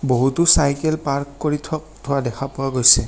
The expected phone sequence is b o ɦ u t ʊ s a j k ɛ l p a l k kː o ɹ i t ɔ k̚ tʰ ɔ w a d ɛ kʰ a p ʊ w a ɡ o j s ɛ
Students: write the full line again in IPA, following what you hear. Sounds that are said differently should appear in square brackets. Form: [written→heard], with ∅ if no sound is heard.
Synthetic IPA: b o ɦ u t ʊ s a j k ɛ l p a [l→ɹ] k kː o ɹ i [t→tʰ] ɔ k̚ tʰ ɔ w a d ɛ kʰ a p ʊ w a ɡ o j s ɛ